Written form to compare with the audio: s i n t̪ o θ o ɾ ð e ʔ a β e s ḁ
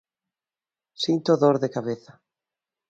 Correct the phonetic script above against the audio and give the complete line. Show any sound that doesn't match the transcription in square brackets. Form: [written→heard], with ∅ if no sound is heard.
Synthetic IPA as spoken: s i n t̪ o [θ→ð] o ɾ ð e [ʔ→k] a β e [s→θ] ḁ